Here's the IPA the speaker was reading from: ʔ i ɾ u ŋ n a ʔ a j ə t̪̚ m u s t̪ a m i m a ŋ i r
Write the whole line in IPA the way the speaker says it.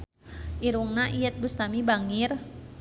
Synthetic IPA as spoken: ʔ i ɾ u ŋ n a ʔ i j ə t̪̚ b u s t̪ a m i b a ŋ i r